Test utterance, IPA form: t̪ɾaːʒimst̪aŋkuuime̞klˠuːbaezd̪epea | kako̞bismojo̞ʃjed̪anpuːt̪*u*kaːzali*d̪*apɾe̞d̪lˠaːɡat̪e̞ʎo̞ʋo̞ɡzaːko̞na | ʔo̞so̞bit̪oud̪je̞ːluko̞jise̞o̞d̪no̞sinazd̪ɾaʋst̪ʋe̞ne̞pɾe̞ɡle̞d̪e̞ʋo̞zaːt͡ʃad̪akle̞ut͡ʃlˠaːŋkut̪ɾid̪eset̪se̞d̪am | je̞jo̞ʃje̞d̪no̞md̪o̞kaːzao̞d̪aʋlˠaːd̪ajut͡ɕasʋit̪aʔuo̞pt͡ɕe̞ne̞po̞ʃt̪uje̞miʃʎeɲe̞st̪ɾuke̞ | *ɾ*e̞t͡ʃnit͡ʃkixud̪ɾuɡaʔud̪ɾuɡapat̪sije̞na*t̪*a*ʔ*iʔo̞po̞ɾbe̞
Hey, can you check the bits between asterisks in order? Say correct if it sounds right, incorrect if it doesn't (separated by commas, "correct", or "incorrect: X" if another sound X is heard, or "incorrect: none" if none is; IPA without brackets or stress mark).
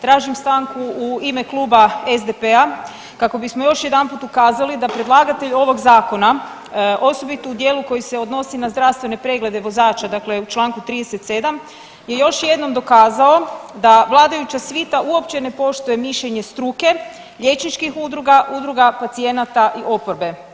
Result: correct, correct, incorrect: ʎ, correct, correct